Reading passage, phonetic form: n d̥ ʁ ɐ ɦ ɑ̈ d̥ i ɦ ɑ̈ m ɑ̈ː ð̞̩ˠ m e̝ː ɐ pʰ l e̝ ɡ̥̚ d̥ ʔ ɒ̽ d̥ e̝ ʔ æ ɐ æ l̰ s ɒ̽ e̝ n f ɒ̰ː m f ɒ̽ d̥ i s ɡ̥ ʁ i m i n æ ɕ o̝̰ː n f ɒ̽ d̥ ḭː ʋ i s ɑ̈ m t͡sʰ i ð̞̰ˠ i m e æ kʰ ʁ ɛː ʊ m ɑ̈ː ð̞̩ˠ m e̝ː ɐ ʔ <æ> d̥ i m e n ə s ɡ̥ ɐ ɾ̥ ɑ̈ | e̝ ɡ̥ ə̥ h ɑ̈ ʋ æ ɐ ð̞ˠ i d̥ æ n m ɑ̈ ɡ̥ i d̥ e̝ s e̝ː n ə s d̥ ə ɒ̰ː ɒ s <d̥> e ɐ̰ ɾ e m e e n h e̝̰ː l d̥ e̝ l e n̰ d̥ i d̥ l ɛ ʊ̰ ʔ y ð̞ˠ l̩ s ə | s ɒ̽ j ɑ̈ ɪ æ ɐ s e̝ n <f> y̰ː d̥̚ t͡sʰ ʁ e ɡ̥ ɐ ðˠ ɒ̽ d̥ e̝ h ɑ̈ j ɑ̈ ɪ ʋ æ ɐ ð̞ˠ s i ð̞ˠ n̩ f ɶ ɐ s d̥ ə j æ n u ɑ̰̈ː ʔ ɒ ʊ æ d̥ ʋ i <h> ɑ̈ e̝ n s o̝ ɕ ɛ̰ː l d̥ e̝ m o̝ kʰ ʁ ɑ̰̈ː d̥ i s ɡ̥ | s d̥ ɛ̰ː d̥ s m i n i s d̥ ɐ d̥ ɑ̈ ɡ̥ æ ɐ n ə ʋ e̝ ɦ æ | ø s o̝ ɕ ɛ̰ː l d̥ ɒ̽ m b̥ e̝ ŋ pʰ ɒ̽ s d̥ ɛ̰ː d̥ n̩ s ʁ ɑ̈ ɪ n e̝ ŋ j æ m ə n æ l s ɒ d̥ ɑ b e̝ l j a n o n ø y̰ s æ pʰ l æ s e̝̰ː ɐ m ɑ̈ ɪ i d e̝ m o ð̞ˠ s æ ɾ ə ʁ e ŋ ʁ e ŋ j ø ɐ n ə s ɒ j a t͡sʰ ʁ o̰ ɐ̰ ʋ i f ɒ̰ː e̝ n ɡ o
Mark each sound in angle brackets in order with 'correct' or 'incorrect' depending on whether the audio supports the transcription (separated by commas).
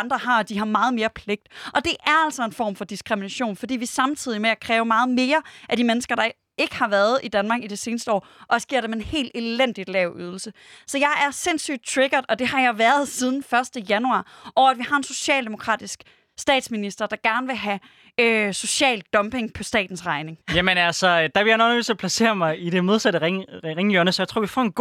correct, incorrect, incorrect, correct